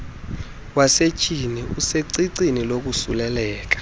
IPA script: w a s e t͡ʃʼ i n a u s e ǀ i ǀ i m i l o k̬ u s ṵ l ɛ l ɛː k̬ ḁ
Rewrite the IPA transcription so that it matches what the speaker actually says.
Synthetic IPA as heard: w a s e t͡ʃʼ i n i u s e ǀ i ǀ i n i l o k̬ u s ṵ l ɛ l ɛː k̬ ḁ